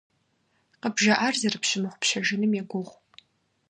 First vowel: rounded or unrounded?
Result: unrounded